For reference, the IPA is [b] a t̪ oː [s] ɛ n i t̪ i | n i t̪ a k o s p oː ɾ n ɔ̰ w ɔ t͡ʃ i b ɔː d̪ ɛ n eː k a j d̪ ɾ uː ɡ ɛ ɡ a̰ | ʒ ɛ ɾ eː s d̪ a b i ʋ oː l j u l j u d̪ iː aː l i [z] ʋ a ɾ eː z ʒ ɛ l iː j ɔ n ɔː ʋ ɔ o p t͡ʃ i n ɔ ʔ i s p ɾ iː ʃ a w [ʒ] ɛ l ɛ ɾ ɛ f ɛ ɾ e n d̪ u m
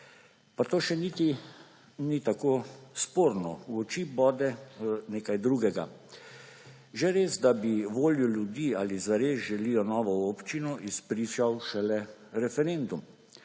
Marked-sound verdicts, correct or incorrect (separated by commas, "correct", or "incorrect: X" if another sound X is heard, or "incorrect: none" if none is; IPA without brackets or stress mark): incorrect: p, incorrect: ʃ, correct, incorrect: ʃ